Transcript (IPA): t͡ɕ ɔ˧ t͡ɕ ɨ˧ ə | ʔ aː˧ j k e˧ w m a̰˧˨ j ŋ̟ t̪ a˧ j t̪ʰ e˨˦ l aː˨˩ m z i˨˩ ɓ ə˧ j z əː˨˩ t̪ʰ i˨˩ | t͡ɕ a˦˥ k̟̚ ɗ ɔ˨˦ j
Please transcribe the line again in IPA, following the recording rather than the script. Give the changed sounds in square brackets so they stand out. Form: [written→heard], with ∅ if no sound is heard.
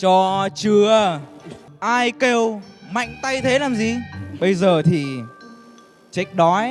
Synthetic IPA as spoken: t͡ɕ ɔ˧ t͡ɕ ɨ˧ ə | ʔ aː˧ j k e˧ w m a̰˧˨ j ŋ̟ t̪ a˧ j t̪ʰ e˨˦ l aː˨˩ m z i˨˩ ɓ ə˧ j z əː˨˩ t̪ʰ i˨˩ | t͡ɕ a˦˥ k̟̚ ɗ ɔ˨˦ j